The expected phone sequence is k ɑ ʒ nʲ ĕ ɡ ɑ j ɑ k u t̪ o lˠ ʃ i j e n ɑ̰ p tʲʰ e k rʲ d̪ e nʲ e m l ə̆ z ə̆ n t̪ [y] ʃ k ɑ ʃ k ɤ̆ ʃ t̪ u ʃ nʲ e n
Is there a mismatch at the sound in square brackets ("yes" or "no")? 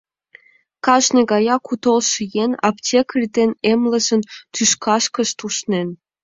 no